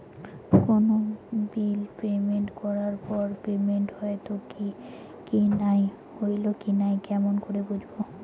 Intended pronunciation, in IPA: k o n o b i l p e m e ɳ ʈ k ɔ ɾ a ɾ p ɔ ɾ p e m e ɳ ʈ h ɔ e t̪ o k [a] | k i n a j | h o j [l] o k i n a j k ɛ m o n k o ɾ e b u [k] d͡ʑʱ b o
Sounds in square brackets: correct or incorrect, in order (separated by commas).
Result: incorrect, correct, incorrect